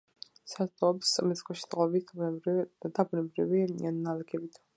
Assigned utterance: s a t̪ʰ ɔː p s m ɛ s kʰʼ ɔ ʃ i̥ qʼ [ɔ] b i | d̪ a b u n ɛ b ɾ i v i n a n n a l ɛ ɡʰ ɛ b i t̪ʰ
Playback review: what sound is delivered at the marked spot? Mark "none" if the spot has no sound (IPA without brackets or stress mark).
ɔ